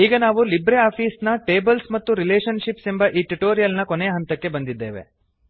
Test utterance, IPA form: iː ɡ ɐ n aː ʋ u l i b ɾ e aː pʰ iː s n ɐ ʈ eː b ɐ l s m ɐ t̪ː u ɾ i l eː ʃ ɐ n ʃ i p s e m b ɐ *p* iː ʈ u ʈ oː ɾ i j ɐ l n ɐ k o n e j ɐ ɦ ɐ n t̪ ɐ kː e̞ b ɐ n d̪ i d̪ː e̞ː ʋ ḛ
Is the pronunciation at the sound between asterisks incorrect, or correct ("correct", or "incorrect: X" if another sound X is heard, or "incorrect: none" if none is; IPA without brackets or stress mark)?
incorrect: ʔ